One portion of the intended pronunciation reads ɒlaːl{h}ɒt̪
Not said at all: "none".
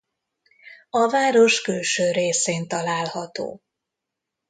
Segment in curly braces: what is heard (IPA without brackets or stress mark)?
h